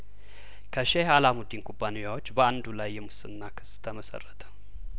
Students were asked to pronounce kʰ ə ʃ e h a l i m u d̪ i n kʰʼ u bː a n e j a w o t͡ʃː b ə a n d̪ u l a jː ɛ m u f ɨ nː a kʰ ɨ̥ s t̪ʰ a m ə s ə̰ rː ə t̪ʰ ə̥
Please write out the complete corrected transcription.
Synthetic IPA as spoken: kʰ ə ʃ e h a l a m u d̪ i n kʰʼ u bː a n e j a w o t͡ʃː b ə a n d̪ u l a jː ɛ m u s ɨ nː a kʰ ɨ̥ s t̪ʰ ə m ə s ə̰ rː ə t̪ʰ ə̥